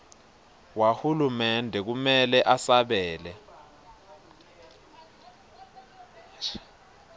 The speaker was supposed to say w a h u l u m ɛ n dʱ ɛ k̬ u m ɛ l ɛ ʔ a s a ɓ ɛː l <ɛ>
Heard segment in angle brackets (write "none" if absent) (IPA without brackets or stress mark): ɛ